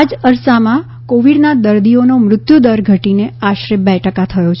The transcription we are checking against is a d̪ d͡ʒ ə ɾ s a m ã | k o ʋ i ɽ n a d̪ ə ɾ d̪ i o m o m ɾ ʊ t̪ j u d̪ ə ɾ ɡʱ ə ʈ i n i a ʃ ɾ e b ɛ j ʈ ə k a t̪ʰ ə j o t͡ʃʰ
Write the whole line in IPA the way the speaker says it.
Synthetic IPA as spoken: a d͡ʒ ə ɾ s a m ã | k o ʋ i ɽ n a d̪ ə ɾ d̪ i o n o m ɾ ʊ t̪ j u d̪ ə ɾ ɡʱ ə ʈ i n e a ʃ ɾ e b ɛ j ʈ ə k a t̪ʰ ə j o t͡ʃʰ